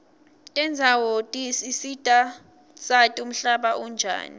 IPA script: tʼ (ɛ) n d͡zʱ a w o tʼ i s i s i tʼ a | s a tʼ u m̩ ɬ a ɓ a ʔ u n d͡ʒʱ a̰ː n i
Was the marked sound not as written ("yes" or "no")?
no